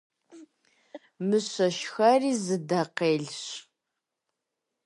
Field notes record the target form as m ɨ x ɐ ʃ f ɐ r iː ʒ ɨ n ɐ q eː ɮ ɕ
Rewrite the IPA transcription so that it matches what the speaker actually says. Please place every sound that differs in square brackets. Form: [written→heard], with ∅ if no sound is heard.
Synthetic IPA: m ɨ [x→ɕ] ɐ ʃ [f→x] ɐ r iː [ʒ→z] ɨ [n→d] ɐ q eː ɮ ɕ